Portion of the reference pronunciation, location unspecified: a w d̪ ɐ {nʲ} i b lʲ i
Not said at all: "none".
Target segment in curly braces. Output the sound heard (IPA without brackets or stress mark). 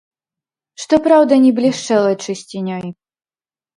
nʲ